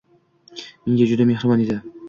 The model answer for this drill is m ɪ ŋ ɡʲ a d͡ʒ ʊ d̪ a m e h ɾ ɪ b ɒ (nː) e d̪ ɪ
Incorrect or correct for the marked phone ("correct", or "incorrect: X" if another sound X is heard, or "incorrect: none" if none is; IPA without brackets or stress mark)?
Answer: incorrect: n